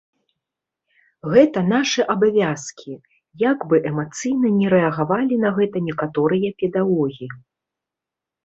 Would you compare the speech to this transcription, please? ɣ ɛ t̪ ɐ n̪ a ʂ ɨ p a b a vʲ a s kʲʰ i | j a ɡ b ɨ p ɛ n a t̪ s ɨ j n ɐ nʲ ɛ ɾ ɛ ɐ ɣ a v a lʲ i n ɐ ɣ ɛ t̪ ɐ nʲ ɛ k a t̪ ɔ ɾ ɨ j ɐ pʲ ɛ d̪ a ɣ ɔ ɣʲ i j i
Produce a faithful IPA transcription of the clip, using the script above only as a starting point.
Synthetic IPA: ɣ ɛ t̪ ɐ n̪ a ʂ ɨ ʔ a b a vʲ a s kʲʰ i | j a ɡ b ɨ ʔ ɛ m a t̪ s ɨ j n ɐ nʲ ɛ ɾ ɛ ɐ ɣ a v a lʲ i n ɐ ɣ ɛ t̪ ɐ nʲ ɛ k a t̪ ɔ ɾ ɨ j ɐ pʲ ɛ d̪ a ɣ ɔ ɣʲ i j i